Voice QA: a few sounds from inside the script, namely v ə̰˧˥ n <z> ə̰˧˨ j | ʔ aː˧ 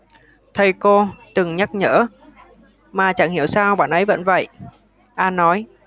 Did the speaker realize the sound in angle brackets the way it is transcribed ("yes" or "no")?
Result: no